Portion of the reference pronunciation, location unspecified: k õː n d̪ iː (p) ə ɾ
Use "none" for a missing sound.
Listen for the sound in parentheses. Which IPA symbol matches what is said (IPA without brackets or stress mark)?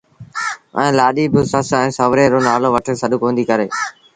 k